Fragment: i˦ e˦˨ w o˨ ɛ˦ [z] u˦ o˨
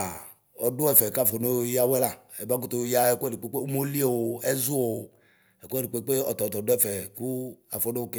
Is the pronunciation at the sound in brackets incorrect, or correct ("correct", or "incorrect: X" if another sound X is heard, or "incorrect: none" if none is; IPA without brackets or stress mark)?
correct